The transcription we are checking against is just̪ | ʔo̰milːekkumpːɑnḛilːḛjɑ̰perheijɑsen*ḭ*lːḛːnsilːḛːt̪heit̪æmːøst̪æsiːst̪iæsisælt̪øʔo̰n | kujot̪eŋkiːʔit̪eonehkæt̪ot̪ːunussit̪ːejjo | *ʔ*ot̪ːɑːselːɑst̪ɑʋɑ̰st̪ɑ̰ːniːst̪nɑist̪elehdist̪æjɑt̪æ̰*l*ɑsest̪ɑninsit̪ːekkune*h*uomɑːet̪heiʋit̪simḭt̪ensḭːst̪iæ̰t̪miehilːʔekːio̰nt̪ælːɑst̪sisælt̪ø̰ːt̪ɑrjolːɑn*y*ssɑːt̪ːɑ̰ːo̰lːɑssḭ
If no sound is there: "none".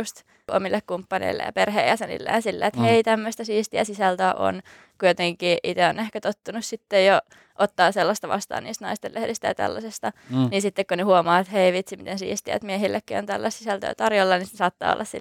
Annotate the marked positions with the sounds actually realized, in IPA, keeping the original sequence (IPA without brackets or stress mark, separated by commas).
ḭ, ʔ, lː, h, i